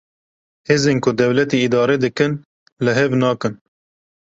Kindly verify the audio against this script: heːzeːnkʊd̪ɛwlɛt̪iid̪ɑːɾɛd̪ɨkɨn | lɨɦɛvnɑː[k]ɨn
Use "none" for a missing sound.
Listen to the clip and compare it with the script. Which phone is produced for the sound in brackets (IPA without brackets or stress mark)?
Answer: k